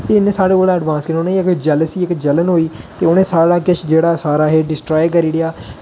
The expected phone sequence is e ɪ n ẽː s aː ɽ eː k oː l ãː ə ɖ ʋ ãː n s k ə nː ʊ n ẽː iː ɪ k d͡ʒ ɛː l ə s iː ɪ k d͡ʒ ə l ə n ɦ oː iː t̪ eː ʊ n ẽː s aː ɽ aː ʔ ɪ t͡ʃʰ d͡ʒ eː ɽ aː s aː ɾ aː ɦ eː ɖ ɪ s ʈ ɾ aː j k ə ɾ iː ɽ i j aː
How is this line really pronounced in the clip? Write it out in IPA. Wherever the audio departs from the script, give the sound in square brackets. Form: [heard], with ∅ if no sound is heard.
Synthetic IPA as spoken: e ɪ n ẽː s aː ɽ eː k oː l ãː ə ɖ ʋ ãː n s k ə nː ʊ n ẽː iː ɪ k d͡ʒ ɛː l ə s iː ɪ k d͡ʒ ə l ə n ɦ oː iː t̪ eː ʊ n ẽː s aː ɽ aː [k] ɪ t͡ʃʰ d͡ʒ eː ɽ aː s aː ɾ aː ɦ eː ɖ ɪ s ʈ ɾ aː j k ə ɾ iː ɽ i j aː